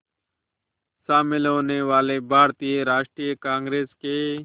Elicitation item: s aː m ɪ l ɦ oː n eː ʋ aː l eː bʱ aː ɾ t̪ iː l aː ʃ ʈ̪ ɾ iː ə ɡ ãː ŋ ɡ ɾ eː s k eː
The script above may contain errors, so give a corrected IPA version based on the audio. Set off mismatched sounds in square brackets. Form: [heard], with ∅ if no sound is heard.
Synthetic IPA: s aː m ɪ l ɦ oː n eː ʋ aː l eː bʱ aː ɾ t̪ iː [ɾ] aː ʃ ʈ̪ ɾ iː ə [k] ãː ŋ ɡ ɾ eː s k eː